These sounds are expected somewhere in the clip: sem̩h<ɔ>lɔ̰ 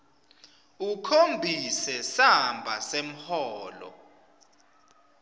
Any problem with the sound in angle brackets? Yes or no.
yes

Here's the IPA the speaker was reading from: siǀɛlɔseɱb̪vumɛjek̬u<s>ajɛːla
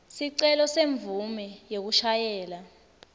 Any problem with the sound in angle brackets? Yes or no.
yes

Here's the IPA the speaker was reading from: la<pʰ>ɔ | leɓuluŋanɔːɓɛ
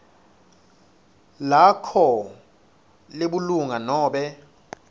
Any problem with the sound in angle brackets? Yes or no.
yes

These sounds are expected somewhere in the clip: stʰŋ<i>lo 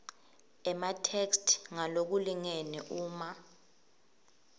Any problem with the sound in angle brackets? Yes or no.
yes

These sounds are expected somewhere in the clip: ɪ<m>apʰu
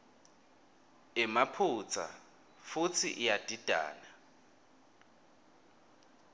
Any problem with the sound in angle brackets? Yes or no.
no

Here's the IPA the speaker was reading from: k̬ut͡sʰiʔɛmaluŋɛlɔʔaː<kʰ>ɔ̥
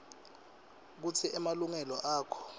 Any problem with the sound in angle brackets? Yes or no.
no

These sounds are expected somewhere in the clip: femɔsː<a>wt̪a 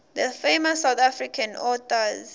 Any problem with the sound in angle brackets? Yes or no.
no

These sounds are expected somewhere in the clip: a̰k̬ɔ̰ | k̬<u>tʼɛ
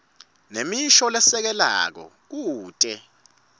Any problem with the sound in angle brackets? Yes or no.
yes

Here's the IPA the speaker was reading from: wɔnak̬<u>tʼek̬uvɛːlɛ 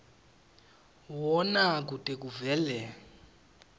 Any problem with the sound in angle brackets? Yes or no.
no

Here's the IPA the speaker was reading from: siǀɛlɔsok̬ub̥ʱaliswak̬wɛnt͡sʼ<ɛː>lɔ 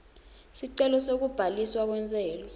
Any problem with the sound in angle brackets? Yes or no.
no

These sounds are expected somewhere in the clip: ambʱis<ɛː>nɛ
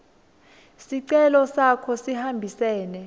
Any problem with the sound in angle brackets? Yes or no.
no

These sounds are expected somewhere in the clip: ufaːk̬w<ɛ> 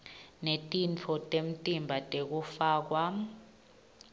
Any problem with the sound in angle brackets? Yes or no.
yes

